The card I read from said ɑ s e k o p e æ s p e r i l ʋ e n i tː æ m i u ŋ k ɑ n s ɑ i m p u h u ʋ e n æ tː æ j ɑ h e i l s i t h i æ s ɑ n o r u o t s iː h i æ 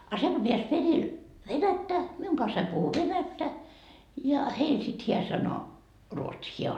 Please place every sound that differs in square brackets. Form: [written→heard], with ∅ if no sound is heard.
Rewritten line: ɑ s e k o p e æ s p e r i l ʋ e n [i→æ] tː æ m i u ŋ k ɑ n s ɑ i m p u h u ʋ e n æ tː æ j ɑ h e i l s i t h i æ s ɑ n o r u o t s iː h i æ